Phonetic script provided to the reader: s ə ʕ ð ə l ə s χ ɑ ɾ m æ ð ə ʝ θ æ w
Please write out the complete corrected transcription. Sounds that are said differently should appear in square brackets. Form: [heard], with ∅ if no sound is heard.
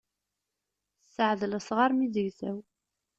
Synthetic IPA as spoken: s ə ʕ ð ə l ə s [ʁ] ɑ ɾ m [i] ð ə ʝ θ æ w

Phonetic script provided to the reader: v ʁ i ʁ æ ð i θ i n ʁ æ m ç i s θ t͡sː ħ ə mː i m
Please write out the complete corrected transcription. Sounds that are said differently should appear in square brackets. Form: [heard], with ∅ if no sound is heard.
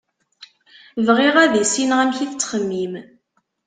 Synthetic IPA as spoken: v ʁ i ʁ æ ð i [s] i n ʁ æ m ç i [∅] θ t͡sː [χ] ə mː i m

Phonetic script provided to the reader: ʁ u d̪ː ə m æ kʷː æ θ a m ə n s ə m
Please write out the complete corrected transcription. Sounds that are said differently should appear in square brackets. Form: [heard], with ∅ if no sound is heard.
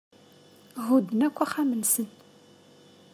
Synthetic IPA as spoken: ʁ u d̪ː ə [n] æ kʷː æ [χ] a m ə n s ə [n]

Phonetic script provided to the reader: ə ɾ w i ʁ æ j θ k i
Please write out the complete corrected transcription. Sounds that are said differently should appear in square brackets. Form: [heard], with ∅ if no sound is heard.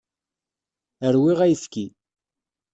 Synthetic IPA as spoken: ə ɾ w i ʁ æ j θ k i

